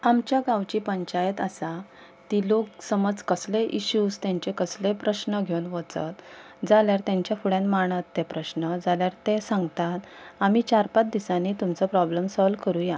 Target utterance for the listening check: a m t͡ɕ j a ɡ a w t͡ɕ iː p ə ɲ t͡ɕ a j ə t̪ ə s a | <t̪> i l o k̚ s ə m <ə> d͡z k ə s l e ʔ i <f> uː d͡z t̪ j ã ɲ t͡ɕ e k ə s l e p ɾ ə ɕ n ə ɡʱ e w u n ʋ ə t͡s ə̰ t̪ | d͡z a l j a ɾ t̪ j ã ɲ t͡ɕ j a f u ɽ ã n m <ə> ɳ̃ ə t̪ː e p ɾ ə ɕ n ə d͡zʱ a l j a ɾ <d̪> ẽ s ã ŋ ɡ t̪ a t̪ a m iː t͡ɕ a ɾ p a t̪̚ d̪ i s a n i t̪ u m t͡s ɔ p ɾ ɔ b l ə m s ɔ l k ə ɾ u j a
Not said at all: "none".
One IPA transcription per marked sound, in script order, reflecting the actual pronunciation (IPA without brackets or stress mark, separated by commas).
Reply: t̪, ə, ɕ, a, t̪